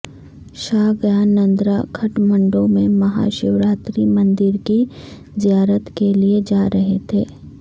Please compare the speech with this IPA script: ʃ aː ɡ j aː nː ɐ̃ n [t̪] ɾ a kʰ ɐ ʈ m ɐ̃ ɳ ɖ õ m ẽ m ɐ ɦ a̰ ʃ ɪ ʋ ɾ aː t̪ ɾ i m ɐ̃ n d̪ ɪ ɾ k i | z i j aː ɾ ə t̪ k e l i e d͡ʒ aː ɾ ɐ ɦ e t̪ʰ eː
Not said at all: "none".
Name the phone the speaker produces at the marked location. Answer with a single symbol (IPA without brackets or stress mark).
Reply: d̪